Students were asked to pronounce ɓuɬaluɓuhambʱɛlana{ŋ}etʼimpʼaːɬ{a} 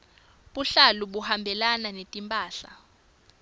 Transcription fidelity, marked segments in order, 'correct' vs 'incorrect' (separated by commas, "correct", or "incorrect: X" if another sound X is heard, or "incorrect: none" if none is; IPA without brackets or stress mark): incorrect: n, correct